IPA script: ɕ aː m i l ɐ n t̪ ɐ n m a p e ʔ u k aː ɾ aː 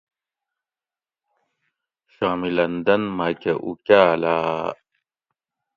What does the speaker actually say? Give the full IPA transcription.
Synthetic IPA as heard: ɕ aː m i l ɐ n d̪ ɐ n m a k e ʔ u k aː l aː